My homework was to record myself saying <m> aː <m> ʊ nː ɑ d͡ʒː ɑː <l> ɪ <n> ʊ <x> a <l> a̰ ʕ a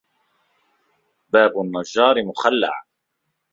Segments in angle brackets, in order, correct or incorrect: incorrect, incorrect, incorrect, incorrect, correct, incorrect

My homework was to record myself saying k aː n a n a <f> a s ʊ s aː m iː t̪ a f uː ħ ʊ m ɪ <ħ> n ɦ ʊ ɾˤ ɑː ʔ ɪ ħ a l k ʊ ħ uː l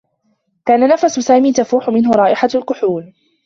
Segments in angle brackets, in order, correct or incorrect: correct, incorrect

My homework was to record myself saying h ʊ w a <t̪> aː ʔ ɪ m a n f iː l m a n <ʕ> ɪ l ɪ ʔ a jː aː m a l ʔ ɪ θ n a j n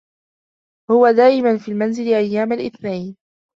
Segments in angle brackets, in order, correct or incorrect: incorrect, incorrect

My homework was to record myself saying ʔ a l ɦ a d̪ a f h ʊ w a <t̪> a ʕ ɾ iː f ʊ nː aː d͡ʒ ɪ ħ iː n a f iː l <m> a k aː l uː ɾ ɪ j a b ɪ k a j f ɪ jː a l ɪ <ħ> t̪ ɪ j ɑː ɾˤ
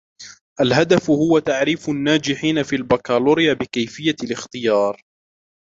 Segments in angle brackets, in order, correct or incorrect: correct, incorrect, incorrect

